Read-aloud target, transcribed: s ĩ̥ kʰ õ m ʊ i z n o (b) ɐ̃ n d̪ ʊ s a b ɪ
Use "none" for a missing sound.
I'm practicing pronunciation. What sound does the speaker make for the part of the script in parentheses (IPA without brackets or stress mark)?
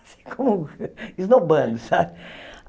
b